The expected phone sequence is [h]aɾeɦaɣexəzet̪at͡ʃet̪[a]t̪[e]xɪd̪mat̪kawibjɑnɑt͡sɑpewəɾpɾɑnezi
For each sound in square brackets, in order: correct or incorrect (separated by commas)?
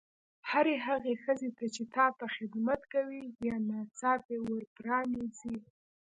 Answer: correct, incorrect, incorrect